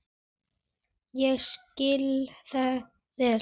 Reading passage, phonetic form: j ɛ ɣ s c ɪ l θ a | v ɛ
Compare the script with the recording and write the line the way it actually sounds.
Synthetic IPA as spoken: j ɛ ɣ s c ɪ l θ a | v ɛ